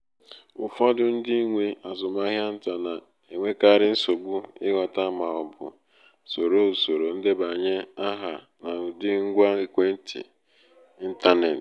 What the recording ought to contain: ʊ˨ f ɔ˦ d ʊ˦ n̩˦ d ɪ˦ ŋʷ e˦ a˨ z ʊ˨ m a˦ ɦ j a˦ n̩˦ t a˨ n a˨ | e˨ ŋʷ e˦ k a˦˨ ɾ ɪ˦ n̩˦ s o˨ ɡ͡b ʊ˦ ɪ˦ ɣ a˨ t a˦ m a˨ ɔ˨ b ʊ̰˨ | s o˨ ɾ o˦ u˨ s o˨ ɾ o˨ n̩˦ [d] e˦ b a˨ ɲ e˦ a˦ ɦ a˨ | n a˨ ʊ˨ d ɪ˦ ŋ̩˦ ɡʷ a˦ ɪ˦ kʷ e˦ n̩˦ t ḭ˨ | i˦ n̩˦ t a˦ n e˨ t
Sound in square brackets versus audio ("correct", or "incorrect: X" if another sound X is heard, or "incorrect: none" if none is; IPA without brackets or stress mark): correct